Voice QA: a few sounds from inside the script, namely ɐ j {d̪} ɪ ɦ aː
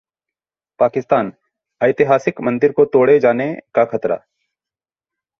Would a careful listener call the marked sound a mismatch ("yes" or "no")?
yes